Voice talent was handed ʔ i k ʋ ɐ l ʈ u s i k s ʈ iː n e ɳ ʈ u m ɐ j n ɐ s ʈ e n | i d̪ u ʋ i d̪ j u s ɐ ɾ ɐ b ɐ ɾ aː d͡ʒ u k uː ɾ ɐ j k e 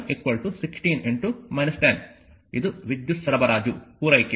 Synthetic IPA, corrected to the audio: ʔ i k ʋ ɐ l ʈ u s i k s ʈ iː n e ɳ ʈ u m ɐ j n ɐ s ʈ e n | i d̪ u ʋ i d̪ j u s ɐ ɾ ɐ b ɐ ɾ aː d͡ʒ u p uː ɾ ɐ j k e